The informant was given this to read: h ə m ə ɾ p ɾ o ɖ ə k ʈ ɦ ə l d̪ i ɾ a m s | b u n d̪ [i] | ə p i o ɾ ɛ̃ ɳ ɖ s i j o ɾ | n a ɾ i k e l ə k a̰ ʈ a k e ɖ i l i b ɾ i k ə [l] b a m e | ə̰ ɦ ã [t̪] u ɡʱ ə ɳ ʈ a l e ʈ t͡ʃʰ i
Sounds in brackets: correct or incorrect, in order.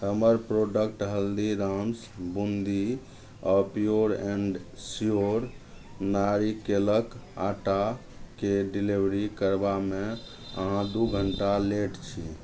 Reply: correct, incorrect, incorrect

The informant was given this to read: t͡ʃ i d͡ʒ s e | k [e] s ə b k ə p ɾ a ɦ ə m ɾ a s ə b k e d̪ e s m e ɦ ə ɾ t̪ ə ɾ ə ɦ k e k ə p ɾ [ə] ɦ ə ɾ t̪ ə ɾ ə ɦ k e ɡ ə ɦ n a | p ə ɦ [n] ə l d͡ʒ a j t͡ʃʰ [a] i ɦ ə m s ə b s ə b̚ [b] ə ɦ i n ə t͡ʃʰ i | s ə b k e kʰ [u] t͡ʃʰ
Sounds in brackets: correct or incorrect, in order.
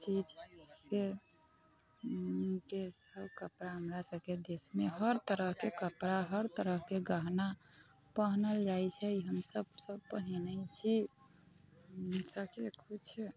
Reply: correct, incorrect, correct, incorrect, incorrect, correct

